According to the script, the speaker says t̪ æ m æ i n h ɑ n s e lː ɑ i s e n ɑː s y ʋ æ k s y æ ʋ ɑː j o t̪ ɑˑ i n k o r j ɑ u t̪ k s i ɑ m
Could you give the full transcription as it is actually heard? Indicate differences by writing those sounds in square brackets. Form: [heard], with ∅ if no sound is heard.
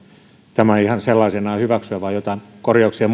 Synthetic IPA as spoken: t̪ æ m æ i [∅] h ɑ n s e lː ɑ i s e n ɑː [h] y ʋ æ k s y æ ʋ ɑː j o t̪ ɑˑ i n k o r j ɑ u [∅] k s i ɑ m